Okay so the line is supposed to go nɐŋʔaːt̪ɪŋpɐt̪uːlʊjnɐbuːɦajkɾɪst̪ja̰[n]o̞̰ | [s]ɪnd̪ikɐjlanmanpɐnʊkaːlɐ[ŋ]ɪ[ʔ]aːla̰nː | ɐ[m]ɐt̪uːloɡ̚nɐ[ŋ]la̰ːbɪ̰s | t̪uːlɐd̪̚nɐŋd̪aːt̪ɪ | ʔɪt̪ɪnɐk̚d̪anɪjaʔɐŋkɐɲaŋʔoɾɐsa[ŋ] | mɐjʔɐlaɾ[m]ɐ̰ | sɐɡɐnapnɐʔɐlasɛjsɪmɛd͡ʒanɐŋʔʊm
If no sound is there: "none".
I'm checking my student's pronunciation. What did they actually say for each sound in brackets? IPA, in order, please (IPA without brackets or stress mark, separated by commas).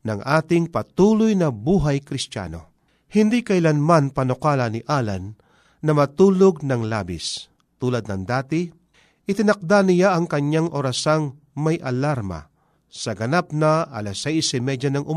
n, h, n, ʔ, m, ŋ, ŋ, m